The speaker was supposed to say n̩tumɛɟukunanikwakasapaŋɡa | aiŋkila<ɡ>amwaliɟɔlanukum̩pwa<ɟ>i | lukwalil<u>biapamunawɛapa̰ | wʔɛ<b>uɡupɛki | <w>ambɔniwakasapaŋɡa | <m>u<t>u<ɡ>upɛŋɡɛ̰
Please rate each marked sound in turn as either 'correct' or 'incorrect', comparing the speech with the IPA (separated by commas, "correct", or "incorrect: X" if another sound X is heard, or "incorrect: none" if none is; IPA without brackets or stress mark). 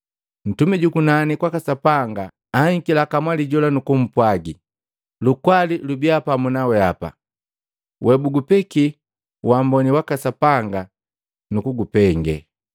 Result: incorrect: k, incorrect: ɡ, correct, correct, correct, incorrect: n, incorrect: k, correct